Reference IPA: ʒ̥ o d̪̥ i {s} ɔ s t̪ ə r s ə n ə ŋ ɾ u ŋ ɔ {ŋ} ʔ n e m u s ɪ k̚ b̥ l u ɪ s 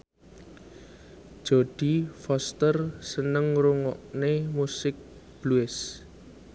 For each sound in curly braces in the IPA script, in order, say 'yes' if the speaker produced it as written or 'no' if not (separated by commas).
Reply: no, no